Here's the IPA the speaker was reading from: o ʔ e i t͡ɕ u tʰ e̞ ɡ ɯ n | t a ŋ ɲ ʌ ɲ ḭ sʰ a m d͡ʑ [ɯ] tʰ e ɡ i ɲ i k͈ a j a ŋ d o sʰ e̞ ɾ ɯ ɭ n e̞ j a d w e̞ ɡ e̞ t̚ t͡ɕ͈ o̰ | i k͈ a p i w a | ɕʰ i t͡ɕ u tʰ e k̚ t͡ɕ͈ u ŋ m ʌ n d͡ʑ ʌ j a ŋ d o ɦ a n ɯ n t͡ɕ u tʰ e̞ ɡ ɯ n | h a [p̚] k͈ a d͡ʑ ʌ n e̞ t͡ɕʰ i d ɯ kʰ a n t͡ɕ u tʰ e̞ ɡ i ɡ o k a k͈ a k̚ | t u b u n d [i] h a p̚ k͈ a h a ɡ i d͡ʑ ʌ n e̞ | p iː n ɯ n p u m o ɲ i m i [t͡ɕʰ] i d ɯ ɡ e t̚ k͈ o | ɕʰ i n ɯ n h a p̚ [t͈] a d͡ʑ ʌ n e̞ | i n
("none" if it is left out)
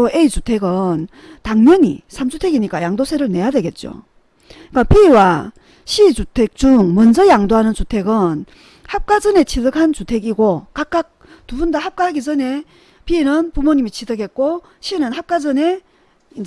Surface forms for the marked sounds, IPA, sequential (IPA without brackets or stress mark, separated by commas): u, p̚, a, t͡ɕʰ, k͈